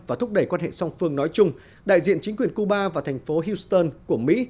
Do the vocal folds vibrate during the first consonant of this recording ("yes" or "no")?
yes